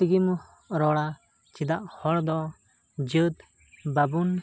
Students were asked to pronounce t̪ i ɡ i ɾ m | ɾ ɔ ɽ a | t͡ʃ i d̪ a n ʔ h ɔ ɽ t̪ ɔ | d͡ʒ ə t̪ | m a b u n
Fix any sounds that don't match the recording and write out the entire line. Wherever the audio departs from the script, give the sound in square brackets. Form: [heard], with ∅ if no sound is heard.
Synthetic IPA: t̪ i ɡ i [∅] m | ɾ ɔ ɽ a | t͡ʃ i d̪ a [∅] ʔ h ɔ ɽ [d̪] ɔ | d͡ʒ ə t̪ | [b] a b u n